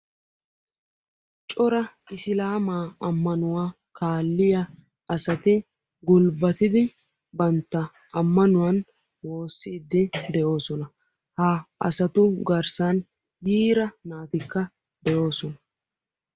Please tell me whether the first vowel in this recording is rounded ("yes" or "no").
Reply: yes